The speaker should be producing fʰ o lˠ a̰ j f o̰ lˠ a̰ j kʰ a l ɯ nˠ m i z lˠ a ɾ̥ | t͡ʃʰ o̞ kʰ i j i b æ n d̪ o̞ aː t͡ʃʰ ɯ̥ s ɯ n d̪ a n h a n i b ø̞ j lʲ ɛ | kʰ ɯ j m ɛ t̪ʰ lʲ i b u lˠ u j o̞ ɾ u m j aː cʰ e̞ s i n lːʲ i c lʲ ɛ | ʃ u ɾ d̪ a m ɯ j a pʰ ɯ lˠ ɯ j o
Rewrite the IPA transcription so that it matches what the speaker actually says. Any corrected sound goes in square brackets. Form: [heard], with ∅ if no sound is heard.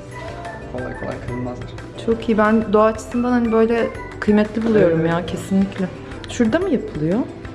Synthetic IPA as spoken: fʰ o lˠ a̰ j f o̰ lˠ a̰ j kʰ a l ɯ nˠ m [a] z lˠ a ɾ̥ | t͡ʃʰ o̞ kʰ i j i b æ n d̪ o̞ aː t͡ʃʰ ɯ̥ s ɯ n d̪ a n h a n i b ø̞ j lʲ ɛ | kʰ ɯ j m ɛ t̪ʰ lʲ i b u lˠ u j o̞ ɾ u m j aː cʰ e̞ s i n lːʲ i c lʲ ɛ | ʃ u ɾ d̪ a m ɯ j a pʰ ɯ lˠ ɯ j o